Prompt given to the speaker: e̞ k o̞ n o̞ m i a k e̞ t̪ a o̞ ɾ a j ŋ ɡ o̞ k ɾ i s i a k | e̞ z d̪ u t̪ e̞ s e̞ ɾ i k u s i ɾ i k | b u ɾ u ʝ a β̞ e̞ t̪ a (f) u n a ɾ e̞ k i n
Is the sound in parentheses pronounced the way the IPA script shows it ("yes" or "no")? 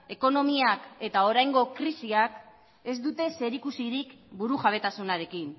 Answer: no